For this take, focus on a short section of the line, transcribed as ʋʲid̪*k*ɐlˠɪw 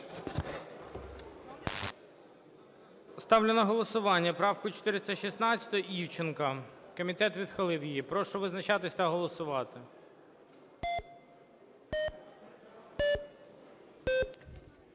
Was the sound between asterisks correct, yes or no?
no